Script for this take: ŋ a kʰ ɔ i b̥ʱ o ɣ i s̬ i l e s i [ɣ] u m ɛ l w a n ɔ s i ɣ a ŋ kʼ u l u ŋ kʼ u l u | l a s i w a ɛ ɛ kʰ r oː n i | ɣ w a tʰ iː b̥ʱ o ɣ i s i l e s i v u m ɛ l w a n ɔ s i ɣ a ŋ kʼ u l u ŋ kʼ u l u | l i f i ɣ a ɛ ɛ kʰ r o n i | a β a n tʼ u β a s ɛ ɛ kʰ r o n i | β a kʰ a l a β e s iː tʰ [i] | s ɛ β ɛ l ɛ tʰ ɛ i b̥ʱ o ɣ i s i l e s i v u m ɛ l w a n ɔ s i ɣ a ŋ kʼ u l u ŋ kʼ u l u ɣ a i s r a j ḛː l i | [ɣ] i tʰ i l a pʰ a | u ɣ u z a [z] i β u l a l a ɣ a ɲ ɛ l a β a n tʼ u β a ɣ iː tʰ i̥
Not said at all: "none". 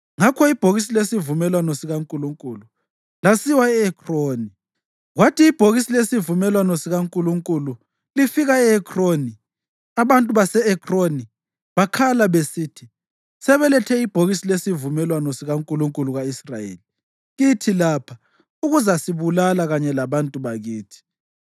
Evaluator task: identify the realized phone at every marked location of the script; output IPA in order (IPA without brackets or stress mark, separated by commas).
v, i, ɣ, s